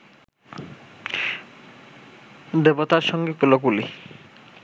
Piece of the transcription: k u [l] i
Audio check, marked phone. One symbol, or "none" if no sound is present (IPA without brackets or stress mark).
l